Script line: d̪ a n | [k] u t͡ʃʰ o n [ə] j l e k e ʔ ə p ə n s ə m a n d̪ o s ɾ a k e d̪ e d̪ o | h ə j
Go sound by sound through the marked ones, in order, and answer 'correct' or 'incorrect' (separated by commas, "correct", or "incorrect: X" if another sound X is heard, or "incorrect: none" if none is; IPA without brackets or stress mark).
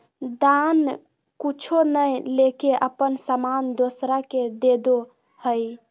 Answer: correct, correct